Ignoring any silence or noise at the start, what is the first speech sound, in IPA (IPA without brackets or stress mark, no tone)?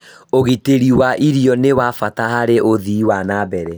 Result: o